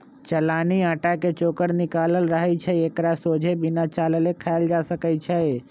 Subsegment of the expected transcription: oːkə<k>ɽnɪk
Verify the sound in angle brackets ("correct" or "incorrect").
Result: incorrect